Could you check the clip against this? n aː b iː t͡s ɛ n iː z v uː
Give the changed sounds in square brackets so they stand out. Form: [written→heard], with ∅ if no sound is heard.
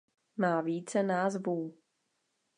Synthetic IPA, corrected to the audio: [n→m] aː [b→v] iː t͡s ɛ n [iː→aː] z v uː